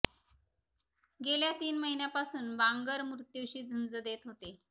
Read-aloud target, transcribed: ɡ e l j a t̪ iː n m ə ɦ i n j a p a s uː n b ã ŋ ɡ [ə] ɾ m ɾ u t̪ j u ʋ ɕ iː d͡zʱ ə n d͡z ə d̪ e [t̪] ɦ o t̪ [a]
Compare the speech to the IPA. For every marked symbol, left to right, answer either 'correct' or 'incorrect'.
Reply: correct, correct, incorrect: e

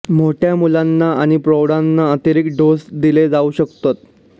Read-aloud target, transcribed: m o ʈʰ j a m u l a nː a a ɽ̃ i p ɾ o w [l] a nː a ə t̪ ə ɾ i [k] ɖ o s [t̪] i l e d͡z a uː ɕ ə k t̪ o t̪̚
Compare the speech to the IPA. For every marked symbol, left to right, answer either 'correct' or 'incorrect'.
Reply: incorrect: ɽ, correct, incorrect: d̪

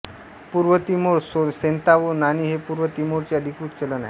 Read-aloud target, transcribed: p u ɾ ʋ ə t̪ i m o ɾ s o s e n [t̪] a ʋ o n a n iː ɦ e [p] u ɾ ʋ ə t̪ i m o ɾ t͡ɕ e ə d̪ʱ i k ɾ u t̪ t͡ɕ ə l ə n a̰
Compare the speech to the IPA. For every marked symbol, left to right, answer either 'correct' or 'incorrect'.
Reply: correct, correct

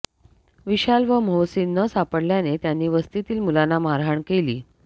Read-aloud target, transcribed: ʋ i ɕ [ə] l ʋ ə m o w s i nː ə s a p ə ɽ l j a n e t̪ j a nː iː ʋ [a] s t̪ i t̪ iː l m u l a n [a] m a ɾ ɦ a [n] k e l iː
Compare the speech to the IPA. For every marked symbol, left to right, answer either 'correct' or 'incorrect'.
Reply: incorrect: a, incorrect: ə, correct, incorrect: ɳ

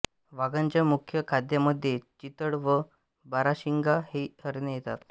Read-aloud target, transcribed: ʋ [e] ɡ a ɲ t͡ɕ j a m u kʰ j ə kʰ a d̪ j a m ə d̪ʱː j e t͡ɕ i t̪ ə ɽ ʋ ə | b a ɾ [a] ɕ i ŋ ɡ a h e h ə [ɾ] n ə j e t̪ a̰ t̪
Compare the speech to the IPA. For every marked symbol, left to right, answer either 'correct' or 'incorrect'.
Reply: incorrect: a, correct, correct

